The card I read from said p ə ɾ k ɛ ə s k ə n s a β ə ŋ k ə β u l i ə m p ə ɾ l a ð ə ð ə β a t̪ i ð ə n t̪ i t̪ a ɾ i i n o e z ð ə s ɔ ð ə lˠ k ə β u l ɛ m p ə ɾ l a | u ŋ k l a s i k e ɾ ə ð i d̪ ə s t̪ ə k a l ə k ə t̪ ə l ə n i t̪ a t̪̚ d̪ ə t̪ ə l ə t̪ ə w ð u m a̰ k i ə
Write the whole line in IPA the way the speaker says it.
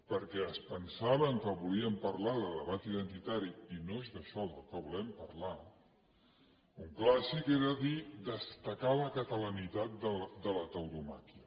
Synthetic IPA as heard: p ə ɾ k ɛ ə s p ə n s a β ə ŋ k ə β u l i ə m p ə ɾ l a ð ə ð ə β a t̪ i ð ə n t̪ i t̪ a ɾ i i n o e z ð ə ʃ ɔ ð ə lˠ k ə β u l ɛ m p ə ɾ l a | u ŋ k l a s i k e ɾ ə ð i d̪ ə s t̪ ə k a l ə k ə t̪ ə l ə n i t̪ a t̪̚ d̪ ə d̪ ə l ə t̪ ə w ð u m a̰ k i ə